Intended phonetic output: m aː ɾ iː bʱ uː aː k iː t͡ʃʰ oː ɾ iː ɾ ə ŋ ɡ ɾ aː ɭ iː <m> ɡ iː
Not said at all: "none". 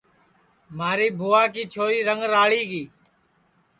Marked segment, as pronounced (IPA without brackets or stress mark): none